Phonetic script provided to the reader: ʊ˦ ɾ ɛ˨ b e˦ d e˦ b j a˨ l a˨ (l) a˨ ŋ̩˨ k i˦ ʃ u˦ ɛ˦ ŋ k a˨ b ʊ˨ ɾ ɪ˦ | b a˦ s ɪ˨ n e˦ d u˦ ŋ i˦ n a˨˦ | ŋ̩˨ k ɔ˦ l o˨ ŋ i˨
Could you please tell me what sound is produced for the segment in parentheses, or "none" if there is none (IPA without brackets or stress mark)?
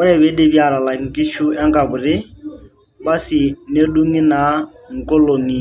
l